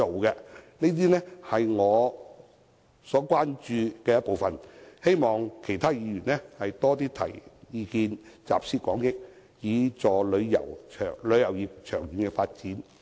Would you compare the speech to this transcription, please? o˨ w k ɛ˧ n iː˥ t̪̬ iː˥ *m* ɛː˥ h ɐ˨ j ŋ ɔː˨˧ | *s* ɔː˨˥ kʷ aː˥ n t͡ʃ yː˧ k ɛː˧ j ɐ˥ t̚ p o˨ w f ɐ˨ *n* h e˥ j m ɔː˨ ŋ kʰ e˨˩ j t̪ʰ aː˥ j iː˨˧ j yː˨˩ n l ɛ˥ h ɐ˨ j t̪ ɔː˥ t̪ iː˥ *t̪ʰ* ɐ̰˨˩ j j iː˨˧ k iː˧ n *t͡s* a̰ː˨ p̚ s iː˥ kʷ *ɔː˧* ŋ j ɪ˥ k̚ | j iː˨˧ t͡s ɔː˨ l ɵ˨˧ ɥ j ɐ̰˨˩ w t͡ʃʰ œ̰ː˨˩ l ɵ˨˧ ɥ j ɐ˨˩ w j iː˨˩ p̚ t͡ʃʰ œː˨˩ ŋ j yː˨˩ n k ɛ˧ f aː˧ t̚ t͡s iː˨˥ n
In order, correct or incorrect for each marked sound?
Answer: incorrect: n, correct, correct, correct, correct, incorrect: ɔː˨˥

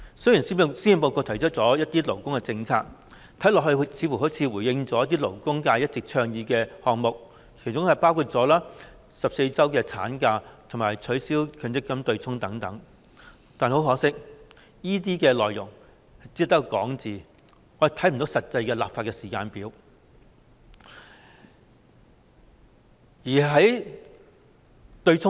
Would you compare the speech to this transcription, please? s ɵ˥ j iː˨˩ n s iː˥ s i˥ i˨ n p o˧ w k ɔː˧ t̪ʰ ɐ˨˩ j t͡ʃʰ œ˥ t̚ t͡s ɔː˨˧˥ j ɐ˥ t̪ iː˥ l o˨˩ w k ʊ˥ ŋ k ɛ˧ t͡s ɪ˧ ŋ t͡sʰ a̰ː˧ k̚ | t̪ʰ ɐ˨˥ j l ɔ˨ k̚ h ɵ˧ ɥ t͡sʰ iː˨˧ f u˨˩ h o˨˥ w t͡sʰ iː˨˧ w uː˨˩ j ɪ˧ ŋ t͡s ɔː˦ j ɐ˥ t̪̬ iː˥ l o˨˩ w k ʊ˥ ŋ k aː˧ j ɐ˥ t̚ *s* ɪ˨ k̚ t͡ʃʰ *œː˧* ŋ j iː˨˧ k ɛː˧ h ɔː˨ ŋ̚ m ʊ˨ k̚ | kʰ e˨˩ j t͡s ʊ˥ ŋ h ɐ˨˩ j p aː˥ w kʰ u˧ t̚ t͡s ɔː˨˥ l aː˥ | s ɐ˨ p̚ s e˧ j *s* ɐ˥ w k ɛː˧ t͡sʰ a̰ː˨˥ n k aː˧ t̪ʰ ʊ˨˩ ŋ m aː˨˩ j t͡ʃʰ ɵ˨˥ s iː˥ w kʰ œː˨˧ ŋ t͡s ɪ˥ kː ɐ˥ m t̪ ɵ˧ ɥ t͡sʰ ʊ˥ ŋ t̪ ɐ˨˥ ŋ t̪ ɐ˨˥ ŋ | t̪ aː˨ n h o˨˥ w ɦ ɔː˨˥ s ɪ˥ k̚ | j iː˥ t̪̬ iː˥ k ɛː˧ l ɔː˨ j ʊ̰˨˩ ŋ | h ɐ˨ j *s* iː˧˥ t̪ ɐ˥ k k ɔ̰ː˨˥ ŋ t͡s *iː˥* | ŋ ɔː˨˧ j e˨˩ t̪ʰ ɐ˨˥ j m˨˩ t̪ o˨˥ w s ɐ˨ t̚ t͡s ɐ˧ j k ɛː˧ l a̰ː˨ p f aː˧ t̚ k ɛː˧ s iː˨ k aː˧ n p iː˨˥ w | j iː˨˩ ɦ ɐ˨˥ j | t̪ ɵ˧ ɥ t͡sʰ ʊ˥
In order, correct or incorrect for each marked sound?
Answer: incorrect: t͡s, correct, incorrect: t͡s, incorrect: t͡s, incorrect: iː˨˩

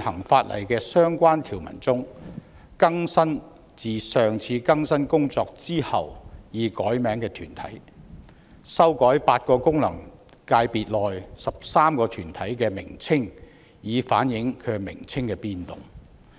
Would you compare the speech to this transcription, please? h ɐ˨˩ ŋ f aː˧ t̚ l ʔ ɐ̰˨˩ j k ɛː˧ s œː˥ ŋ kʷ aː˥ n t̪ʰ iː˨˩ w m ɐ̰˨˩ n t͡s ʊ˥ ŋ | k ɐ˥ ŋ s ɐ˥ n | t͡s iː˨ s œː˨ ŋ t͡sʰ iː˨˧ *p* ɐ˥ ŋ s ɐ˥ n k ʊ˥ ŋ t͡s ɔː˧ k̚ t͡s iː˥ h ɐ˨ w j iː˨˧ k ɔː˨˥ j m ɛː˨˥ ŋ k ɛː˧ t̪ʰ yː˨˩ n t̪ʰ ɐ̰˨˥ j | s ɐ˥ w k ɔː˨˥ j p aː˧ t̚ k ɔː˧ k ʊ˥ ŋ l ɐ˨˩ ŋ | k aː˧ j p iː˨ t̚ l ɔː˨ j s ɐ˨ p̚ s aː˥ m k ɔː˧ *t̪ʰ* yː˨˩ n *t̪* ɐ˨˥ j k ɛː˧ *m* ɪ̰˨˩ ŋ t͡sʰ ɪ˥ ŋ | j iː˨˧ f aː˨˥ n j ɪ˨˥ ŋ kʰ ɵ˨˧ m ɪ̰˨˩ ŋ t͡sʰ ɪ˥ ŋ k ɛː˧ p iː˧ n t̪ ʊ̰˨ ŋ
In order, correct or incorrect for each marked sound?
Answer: incorrect: k, correct, incorrect: t̪ʰ, correct

